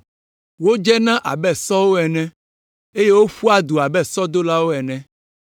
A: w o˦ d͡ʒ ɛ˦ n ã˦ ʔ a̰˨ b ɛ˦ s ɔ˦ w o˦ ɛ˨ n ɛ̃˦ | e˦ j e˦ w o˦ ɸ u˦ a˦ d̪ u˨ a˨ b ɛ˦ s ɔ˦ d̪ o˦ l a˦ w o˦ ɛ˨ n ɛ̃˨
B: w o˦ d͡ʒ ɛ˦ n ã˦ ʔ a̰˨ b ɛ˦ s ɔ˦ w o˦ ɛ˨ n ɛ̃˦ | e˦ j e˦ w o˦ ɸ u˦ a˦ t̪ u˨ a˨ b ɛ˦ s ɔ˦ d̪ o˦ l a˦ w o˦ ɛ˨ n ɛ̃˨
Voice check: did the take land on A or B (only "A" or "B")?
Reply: A